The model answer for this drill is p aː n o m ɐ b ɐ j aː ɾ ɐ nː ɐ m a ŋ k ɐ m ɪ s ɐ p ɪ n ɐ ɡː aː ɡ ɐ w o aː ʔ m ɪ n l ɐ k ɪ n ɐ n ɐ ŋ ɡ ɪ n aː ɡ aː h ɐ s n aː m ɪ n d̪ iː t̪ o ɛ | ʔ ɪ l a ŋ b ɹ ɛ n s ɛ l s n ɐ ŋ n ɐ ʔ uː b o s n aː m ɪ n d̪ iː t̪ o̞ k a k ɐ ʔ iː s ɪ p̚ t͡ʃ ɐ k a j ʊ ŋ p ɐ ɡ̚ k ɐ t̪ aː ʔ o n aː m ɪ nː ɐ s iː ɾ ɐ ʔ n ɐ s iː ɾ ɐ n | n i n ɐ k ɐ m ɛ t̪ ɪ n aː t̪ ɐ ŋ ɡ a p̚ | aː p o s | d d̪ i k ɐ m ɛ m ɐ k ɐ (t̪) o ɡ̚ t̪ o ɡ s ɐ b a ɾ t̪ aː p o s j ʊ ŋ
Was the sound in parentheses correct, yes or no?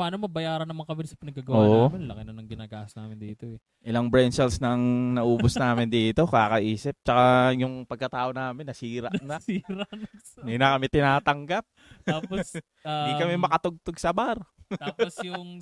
yes